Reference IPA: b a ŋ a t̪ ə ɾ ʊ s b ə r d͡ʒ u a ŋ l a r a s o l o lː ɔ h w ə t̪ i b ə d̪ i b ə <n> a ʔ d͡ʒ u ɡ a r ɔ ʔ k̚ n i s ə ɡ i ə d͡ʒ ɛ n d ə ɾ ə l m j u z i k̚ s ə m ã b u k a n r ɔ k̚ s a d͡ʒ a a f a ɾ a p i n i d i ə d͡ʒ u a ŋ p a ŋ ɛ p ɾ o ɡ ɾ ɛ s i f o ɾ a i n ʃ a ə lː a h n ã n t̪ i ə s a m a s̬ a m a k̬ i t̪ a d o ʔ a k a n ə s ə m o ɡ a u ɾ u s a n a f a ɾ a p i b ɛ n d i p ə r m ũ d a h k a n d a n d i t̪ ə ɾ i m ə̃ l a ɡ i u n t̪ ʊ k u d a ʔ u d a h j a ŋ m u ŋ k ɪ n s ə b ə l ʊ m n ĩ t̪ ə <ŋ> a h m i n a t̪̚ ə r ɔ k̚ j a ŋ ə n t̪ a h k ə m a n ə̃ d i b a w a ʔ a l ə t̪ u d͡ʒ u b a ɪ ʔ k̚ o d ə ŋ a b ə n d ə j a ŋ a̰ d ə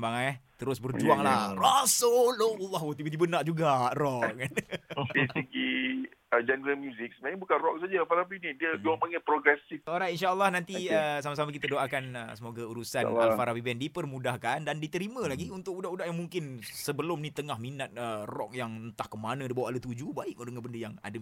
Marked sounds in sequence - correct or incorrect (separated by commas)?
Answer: correct, correct